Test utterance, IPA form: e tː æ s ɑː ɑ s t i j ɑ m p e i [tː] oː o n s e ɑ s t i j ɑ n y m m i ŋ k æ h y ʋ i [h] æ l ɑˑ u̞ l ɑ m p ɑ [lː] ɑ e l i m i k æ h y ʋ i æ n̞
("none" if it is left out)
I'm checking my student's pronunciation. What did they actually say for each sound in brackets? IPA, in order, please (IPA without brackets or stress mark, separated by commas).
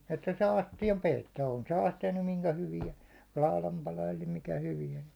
tː, none, l